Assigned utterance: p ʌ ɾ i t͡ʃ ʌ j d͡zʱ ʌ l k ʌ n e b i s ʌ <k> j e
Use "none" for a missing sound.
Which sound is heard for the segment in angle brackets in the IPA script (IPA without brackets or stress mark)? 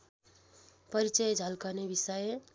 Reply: none